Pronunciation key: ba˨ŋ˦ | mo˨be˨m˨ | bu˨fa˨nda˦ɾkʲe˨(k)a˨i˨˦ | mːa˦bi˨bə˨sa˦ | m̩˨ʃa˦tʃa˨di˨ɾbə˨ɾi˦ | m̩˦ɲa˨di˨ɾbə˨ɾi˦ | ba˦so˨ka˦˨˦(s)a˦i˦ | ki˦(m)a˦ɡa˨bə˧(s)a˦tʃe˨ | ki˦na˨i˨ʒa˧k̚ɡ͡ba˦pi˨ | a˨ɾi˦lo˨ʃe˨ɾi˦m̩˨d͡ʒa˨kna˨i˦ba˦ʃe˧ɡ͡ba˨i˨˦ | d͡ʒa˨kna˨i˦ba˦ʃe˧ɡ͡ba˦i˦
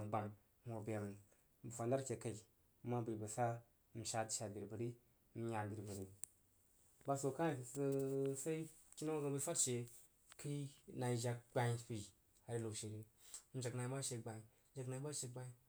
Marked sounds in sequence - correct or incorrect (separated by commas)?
correct, correct, incorrect, incorrect